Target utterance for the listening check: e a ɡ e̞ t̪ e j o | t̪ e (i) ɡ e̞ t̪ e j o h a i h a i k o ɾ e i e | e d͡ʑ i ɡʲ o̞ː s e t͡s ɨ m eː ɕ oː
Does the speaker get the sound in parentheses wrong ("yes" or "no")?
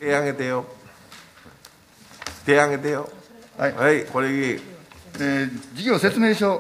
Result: yes